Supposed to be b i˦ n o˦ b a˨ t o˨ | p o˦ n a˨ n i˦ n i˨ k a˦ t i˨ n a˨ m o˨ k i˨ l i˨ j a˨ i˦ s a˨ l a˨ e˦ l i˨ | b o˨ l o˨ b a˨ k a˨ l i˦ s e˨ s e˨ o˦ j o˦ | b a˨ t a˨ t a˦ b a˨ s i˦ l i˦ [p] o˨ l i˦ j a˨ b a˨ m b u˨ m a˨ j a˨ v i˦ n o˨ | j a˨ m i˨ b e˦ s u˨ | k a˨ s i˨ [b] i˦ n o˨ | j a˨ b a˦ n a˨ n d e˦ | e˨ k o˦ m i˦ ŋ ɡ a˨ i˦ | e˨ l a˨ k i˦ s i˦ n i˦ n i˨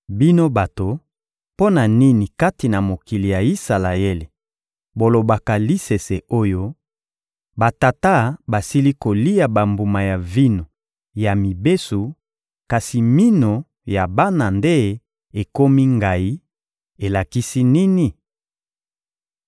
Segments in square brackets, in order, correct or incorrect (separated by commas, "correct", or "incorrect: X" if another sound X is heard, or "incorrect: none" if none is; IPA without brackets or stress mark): incorrect: k, incorrect: m